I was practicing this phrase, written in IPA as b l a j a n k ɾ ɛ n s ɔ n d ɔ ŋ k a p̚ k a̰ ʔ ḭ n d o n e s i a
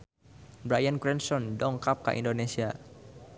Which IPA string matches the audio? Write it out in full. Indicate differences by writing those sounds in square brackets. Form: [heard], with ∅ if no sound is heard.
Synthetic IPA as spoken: b [ɾ] a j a n k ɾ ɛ n s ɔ n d ɔ ŋ k a p̚ k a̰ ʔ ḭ n d o n e s i a